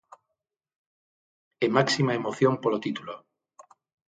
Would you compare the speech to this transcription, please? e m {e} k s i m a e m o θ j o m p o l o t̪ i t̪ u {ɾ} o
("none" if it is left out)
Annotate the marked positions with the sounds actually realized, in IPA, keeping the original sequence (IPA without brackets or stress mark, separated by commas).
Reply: a, l